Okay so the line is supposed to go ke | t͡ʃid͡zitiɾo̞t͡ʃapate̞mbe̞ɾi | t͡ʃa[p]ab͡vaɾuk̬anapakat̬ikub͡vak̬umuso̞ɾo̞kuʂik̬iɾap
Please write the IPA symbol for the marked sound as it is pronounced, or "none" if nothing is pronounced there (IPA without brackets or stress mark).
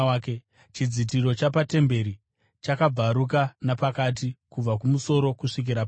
k